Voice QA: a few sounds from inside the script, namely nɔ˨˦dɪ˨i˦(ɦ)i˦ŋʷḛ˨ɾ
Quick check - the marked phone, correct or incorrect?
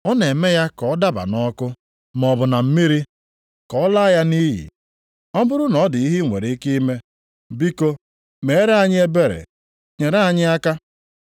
correct